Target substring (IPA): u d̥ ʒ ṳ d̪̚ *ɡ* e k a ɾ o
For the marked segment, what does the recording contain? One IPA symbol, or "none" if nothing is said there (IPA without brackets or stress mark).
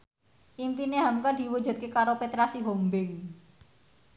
k